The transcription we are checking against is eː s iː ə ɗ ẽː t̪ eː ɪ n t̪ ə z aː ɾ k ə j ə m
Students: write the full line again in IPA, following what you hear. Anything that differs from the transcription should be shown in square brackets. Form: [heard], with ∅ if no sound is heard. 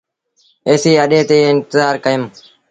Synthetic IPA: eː s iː ə ɗ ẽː t̪ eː ɪ n t̪ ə z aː ɾ k ə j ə m